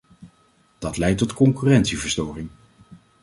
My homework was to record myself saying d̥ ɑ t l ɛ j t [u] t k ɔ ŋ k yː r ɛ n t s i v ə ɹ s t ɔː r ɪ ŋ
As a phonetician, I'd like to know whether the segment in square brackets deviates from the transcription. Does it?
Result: yes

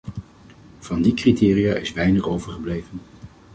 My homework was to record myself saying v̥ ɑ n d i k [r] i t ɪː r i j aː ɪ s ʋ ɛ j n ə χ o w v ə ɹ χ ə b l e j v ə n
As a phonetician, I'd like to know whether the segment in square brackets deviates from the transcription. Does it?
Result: no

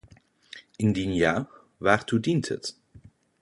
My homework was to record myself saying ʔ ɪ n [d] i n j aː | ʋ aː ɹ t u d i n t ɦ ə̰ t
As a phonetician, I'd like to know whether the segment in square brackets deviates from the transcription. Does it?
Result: no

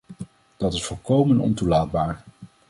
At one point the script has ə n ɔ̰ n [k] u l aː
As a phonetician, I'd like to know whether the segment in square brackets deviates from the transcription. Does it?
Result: yes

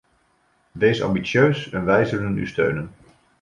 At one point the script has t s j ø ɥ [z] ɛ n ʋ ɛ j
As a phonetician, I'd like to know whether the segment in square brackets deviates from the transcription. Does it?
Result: yes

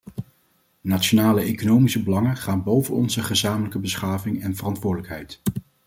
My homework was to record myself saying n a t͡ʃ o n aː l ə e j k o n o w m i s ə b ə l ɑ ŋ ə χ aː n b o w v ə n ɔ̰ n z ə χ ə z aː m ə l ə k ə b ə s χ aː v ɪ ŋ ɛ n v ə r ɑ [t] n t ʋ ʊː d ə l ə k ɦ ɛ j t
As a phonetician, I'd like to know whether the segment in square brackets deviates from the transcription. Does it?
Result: yes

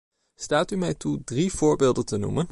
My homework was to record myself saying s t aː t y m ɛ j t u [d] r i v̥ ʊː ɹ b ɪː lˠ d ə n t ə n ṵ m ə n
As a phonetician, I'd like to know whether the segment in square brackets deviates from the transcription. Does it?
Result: no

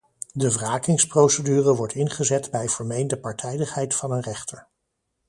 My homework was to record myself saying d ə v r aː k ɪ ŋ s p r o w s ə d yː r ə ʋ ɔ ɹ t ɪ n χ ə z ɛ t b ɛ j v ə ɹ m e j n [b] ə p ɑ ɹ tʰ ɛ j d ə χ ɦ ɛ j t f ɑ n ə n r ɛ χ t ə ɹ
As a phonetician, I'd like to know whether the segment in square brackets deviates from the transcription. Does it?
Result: yes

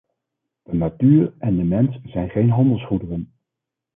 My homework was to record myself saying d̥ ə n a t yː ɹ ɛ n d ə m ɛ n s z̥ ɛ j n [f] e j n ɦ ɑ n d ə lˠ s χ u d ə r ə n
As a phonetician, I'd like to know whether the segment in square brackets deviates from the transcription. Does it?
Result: yes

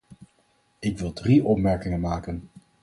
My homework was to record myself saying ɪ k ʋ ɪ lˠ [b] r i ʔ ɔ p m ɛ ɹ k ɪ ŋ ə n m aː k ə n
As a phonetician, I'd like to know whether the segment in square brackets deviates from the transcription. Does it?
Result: yes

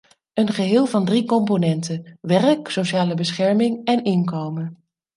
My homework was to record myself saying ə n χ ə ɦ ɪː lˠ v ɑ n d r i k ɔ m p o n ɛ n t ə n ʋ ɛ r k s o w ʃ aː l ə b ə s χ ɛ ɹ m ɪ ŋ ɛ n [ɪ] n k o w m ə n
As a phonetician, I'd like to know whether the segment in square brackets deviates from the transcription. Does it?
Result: no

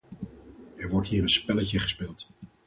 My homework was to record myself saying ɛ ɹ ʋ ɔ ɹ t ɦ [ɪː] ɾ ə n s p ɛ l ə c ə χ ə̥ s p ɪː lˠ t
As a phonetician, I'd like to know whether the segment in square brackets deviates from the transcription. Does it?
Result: yes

